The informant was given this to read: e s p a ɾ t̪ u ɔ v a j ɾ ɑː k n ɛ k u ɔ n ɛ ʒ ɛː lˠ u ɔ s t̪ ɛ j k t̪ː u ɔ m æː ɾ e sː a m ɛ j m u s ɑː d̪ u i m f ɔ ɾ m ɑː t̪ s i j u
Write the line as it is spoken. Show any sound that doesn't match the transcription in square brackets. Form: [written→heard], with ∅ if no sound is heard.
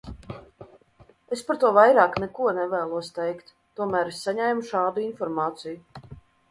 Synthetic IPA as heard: e s p a ɾ t̪ u ɔ v a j ɾ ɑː k n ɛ k u ɔ n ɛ [ʒ→v] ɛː lˠ u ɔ s t̪ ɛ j k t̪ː u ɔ m æː ɾ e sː a [m→ɲ] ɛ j m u [s→ʃ] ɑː d̪ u i [m→n] f ɔ ɾ m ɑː t̪ s i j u